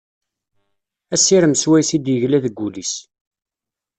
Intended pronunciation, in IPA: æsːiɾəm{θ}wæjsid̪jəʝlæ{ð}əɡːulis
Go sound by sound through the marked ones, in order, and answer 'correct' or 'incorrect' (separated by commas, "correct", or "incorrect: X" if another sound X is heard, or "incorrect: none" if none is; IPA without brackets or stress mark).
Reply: incorrect: s, correct